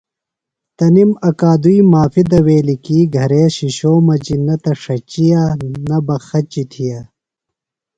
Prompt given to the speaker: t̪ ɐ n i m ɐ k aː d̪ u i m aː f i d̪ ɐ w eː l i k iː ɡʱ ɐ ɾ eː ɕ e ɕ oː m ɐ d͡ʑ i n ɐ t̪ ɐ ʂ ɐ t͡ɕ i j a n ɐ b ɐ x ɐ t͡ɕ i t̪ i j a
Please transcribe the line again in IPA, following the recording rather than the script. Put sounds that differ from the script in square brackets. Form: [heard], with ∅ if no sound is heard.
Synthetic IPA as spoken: t̪ ɐ n i m ɐ k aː d̪ u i m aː f i d̪ ɐ w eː l i k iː ɡʱ ɐ ɾ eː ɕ [i] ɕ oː m ɐ d͡ʑ i n ɐ t̪ ɐ ʂ ɐ t͡ɕ i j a n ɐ b ɐ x ɐ t͡ɕ i [t̪ʰ] i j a